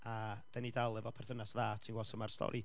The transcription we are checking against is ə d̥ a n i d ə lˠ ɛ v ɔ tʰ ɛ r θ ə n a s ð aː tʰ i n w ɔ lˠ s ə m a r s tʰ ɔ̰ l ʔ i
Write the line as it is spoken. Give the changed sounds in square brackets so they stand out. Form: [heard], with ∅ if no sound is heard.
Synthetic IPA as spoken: [a] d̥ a n i d [a] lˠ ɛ v ɔ [pʰ] ɛ r θ ə n a s ð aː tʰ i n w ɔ [∅] s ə m a r s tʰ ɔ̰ [ɾ] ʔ i